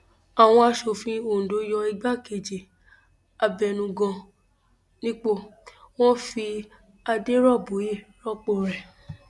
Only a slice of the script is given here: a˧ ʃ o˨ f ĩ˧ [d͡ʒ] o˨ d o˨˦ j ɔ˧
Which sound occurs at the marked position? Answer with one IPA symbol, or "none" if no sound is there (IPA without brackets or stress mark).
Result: none